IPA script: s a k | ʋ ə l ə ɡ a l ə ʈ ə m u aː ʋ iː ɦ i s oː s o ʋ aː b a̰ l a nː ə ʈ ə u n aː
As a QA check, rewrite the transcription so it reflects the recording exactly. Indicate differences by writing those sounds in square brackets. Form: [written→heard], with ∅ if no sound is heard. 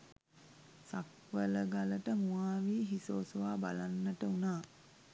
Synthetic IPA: s a k | ʋ ə l ə ɡ a l ə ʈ ə m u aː ʋ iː ɦ i s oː s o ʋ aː b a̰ l a nː ə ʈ ə u n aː